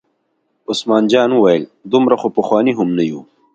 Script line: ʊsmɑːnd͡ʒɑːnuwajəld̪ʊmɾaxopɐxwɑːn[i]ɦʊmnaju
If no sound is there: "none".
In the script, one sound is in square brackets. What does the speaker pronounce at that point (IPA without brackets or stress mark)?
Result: i